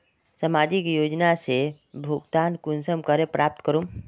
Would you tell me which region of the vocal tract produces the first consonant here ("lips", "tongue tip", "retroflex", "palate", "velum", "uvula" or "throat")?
tongue tip